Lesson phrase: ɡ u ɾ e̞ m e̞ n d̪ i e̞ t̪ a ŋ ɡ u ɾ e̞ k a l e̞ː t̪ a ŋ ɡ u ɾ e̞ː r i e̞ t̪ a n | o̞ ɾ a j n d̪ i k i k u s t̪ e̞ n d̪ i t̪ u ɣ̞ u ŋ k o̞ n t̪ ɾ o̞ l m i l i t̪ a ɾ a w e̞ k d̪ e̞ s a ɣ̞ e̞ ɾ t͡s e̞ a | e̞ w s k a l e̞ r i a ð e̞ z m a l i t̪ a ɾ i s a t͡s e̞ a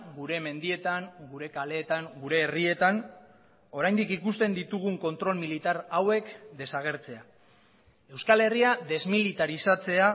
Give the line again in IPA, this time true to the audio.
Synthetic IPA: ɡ u ɾ e̞ m e̞ n d̪ i e̞ t̪ a ŋ ɡ u ɾ e̞ k a l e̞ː t̪ a ŋ ɡ u ɾ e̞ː r i e̞ t̪ a n | o̞ ɾ a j n d̪ i k i k u s t̪ e̞ n d̪ i t̪ u ɣ̞ u ŋ k o̞ n t̪ ɾ o̞ l m i l i t̪ a ɾ a w e̞ k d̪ e̞ s a ɣ̞ e̞ ɾ t͡s e̞ a | e̞ w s k a l e̞ r i a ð e̞ z m i l i t̪ a ɾ i s a t͡s e̞ a